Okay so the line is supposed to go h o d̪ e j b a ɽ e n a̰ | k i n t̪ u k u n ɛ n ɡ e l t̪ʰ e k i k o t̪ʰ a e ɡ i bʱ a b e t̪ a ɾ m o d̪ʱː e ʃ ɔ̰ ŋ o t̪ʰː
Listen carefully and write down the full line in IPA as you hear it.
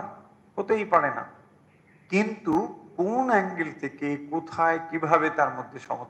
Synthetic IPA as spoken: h o t̪ e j p a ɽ e n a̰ | k i n t̪ u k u n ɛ ŋ ɡ e l t̪ʰ e k e k o t̪ʰ a e k i bʱ a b e t̪ a ɾ m o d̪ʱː e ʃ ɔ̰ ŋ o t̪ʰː